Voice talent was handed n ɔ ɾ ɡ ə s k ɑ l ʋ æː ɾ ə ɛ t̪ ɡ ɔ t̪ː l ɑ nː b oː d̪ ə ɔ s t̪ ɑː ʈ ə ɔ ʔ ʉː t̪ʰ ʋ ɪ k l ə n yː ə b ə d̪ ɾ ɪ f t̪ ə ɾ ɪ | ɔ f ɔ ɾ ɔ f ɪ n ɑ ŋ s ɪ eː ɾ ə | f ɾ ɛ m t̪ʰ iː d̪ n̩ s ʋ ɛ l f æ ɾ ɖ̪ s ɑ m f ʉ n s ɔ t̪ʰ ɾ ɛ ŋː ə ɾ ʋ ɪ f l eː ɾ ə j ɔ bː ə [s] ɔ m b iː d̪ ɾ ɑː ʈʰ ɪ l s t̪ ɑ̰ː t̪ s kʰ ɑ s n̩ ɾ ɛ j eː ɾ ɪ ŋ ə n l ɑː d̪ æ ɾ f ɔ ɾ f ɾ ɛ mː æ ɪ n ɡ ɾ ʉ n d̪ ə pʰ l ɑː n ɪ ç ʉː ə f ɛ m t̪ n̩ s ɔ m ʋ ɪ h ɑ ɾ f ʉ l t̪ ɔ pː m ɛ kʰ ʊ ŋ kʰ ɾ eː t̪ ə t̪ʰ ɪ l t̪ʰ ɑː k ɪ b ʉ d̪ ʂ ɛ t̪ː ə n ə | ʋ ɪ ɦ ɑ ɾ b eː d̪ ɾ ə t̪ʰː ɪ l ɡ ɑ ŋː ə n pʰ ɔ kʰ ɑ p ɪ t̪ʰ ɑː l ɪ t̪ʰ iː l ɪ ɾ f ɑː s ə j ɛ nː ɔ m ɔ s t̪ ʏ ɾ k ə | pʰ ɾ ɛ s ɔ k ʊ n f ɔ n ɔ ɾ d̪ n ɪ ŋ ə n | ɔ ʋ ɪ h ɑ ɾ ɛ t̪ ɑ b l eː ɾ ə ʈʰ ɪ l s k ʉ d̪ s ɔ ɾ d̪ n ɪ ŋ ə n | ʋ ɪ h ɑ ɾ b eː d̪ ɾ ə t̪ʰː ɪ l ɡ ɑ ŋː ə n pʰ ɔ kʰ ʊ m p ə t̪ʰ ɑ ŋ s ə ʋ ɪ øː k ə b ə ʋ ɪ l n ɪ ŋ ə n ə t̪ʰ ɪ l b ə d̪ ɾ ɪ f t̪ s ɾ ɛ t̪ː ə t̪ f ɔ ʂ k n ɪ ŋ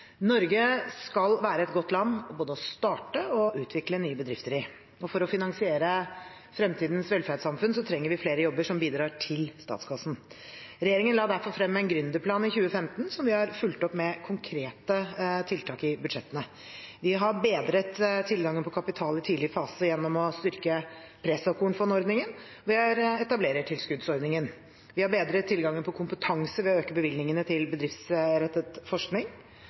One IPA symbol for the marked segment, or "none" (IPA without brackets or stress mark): ʂ